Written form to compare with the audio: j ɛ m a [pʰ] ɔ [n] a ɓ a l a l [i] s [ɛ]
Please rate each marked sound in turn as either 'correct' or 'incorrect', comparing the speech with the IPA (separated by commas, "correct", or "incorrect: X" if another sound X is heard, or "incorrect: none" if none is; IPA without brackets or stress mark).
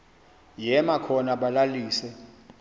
incorrect: kʰ, correct, incorrect: iː, correct